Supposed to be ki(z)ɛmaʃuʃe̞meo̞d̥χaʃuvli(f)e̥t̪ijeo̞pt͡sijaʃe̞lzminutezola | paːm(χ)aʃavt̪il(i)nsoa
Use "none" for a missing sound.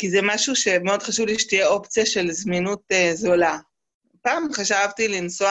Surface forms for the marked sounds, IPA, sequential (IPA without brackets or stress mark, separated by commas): z, ʃ, χ, i